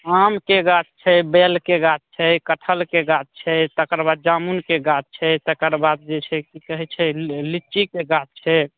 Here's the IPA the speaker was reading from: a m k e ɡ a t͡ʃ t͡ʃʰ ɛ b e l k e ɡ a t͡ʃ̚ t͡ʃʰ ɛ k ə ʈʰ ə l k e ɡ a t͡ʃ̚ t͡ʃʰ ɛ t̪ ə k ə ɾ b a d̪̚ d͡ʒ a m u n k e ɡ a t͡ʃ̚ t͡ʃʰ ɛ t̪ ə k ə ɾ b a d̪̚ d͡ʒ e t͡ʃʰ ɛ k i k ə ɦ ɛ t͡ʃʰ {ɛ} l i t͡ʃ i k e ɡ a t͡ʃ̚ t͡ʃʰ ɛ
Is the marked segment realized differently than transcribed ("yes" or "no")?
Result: no